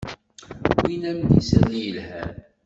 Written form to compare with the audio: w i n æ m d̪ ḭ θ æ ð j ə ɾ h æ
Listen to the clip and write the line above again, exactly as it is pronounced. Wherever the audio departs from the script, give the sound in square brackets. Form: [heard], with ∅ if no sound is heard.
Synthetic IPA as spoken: w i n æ m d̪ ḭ [s] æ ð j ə [l] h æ